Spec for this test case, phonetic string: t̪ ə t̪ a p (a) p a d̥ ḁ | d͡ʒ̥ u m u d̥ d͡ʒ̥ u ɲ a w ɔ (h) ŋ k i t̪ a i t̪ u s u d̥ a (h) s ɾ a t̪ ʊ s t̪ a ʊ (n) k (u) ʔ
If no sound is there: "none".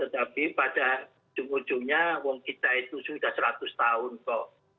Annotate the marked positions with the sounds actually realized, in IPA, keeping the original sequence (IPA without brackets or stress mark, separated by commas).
i, none, h, n, ɔ